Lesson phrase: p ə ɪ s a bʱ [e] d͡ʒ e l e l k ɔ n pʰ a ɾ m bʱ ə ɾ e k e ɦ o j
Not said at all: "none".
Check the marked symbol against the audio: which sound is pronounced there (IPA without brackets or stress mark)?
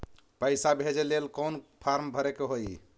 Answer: e